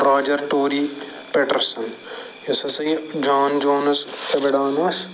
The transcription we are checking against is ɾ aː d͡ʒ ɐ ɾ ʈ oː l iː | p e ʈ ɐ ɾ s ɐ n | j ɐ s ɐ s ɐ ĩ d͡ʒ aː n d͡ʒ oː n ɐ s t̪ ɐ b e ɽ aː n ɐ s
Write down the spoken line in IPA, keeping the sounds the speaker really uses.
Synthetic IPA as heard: ɾ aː d͡ʒ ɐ ɾ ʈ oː ɾ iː | p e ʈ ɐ ɾ s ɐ n | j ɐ s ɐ s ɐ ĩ d͡ʒ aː n d͡ʒ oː n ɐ s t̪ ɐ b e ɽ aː n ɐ s